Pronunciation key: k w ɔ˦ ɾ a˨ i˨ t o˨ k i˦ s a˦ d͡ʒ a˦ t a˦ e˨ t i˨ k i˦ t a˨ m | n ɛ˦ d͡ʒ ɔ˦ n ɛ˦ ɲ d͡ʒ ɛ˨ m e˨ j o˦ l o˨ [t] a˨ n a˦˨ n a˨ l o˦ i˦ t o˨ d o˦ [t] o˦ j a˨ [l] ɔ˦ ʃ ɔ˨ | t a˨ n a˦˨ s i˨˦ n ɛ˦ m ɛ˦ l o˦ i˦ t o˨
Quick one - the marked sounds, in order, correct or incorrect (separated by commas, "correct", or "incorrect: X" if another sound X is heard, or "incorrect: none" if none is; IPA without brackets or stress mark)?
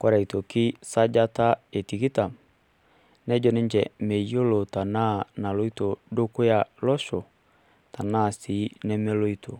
correct, incorrect: k, correct